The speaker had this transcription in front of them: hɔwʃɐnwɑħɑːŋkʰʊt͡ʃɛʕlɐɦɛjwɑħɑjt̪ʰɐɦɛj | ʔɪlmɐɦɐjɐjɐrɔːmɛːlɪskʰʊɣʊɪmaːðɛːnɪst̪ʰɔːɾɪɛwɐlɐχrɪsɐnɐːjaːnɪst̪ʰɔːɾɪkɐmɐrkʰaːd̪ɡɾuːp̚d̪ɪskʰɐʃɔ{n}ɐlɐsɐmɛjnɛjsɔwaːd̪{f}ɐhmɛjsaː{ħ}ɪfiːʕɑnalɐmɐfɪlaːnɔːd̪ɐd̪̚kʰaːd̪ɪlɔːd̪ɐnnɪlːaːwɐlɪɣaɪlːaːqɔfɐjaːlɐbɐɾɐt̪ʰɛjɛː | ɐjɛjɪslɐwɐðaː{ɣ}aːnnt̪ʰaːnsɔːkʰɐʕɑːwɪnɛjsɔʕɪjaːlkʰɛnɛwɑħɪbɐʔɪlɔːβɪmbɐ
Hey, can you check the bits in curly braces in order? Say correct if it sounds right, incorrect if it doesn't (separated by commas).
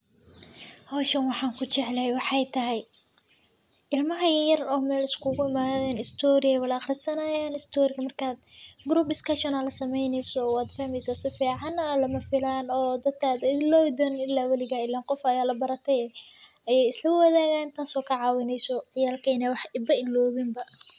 correct, correct, incorrect, correct